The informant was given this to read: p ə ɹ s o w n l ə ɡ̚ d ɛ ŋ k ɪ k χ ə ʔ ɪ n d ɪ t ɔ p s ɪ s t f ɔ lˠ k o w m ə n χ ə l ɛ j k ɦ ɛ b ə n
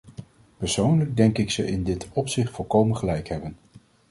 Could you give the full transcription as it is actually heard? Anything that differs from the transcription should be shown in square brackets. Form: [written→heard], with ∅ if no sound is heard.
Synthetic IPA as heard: p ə ɹ s o w n l ə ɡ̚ d ɛ ŋ k ɪ k [χ→s] ə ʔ ɪ n d ɪ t ɔ p s ɪ [s→χ] t f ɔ lˠ k o w m ə n χ ə l ɛ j k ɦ ɛ b ə n